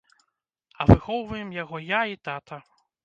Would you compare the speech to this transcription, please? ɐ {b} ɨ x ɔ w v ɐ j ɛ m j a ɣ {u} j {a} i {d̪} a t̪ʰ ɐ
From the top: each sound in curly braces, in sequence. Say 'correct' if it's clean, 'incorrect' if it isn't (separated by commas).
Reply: incorrect, incorrect, correct, incorrect